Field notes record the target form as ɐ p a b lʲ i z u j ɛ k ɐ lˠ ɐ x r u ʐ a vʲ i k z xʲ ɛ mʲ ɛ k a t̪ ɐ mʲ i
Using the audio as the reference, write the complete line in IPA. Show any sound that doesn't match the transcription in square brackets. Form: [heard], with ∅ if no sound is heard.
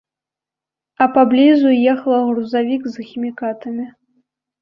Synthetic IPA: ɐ p a b lʲ i z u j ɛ [x] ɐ lˠ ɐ [ɣ] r u [z] a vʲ i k z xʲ [i] mʲ [i] k a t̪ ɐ mʲ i